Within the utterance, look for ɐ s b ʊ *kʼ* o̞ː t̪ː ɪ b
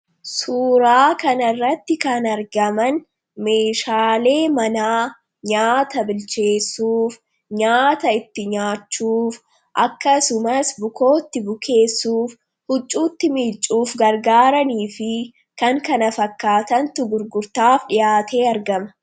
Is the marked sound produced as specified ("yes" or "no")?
no